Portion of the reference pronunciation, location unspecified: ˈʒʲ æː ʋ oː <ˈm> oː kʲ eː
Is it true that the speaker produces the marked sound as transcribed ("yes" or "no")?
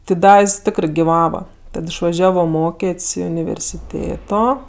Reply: yes